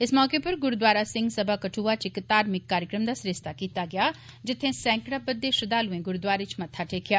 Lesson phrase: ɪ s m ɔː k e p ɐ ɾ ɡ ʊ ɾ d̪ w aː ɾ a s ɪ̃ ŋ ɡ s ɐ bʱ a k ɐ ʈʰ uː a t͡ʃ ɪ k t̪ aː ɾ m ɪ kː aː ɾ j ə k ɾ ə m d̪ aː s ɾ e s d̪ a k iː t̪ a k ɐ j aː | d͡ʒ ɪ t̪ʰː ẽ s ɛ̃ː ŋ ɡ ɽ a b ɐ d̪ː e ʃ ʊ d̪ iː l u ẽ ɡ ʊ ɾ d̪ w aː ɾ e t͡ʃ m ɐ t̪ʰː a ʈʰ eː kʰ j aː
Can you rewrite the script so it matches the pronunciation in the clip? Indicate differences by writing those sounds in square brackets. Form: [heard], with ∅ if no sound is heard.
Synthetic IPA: ɪ s m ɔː k e p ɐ ɾ ɡ ʊ ɾ d̪ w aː ɾ a s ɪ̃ ŋ ɡ s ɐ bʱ a k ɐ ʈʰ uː a t͡ʃ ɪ k t̪ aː ɾ m ɪ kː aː ɾ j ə k ɾ ə m d̪ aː s ɾ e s [t̪] a k iː t̪ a [ɡ] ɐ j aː | d͡ʒ ɪ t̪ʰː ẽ s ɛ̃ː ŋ [k] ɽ a b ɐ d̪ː e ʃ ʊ d̪ [aː] l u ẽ ɡ ʊ ɾ d̪ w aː ɾ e t͡ʃ m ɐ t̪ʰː a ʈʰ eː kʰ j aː

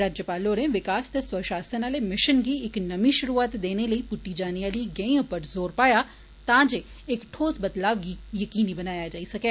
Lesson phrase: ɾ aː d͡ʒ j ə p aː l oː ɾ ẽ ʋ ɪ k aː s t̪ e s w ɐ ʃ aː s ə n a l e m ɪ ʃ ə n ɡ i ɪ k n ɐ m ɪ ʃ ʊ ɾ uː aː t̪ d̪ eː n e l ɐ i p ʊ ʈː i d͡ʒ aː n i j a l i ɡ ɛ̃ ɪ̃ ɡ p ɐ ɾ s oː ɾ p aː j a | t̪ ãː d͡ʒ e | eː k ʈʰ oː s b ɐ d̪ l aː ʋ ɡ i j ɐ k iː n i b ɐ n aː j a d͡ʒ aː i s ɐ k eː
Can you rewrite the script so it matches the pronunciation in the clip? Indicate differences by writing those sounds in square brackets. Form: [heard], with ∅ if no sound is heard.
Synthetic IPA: ɾ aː d͡ʒ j ə p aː l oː ɾ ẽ ʋ ɪ k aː s t̪ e s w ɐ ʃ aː s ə n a l e m ɪ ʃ ə n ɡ i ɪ k n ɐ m [i] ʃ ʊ ɾ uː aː t̪ d̪ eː n e l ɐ i p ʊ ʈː i d͡ʒ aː n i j a l i ɡ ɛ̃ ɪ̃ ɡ p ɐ ɾ [z] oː ɾ p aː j a | t̪ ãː d͡ʒ e | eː k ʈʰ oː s b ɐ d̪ l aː ʋ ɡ i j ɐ k iː n i b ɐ n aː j a d͡ʒ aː i s ɐ k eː

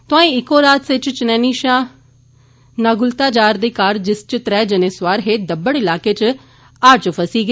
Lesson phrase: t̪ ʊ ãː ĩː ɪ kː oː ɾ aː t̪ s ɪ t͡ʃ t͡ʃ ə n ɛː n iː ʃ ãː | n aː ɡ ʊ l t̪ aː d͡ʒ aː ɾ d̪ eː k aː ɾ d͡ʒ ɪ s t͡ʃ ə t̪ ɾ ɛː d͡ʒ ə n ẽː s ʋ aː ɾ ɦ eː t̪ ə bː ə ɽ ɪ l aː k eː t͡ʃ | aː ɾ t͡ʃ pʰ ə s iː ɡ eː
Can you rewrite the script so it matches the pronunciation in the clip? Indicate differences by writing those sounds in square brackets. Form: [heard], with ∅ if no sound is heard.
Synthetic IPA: t̪ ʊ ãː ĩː ɪ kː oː ɾ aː t̪ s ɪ t͡ʃ t͡ʃ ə n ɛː n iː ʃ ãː | n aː ɡ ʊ l t̪ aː d͡ʒ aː ɾ d̪ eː k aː ɾ d͡ʒ ɪ s t͡ʃ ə t̪ ɾ ɛː d͡ʒ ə n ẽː s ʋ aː ɾ ɦ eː [d̪] ə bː ə ɽ ɪ l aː k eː t͡ʃ | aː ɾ t͡ʃ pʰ ə s iː ɡ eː

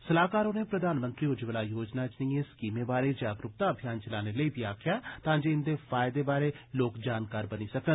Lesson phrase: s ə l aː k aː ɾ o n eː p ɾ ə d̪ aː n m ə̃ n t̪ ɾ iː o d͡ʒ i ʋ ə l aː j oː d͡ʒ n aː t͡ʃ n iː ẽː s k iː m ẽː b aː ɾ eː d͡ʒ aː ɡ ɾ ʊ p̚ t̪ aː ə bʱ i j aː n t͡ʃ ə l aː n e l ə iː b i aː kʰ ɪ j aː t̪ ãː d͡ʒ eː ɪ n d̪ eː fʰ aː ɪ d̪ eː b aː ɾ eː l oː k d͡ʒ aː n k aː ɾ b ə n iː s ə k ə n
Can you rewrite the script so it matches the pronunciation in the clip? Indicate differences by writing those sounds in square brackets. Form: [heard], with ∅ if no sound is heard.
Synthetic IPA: s ə l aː k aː ɾ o n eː p ɾ ə d̪ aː n m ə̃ n t̪ ɾ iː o d͡ʒ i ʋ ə l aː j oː d͡ʒ n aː t͡ʃ n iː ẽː s k iː m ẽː b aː ɾ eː d͡ʒ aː ɡ ɾ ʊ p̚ t̪ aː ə bʱ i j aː n t͡ʃ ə l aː n e l ə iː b i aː kʰ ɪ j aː t̪ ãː d͡ʒ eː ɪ n d̪ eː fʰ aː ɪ d̪ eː b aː ɾ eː l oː k d͡ʒ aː n k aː ɾ b ə n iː s ə k ə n

